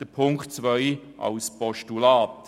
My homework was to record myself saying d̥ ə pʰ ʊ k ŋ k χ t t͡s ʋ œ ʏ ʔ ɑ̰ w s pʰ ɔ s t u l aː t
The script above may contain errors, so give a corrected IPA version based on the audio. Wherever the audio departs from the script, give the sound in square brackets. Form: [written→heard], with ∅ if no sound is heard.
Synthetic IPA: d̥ ə pʰ ʊ [k→∅] ŋ k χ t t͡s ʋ œ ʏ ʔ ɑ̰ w s [pʰ→p] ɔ [s→ʃ] t u l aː t